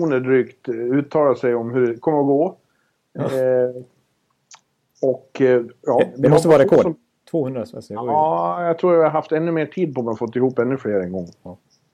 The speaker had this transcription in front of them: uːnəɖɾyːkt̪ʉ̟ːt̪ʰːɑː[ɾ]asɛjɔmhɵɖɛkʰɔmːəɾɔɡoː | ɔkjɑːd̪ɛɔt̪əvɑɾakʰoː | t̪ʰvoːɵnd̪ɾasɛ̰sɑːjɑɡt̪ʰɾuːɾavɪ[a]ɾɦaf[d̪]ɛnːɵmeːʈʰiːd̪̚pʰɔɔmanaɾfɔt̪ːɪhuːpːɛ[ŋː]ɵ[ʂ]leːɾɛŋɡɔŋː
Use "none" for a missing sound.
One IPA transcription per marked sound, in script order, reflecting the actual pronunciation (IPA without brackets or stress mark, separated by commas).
l, a, t̪, nː, f